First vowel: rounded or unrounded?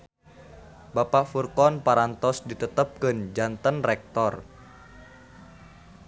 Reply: unrounded